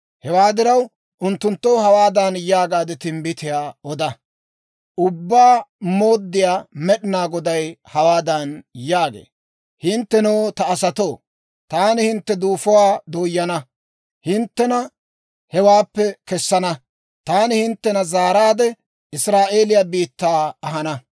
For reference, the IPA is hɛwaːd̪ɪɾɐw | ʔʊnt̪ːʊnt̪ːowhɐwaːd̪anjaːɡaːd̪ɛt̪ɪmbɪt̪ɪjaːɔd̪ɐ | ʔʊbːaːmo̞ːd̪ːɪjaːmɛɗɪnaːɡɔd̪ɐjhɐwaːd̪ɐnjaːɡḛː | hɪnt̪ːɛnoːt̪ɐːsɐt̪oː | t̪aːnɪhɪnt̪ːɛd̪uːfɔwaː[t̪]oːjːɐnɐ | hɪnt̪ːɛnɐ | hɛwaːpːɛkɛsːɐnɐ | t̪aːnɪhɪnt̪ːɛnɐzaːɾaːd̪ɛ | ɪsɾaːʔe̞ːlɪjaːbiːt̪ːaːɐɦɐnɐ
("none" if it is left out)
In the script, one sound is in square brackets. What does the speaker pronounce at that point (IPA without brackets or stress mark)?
d̪